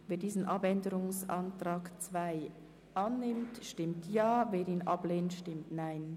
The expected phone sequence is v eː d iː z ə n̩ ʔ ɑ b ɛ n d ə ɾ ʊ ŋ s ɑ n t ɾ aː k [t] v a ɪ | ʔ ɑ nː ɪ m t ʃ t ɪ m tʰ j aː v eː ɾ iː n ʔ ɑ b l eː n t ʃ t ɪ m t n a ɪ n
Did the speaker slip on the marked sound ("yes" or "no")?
yes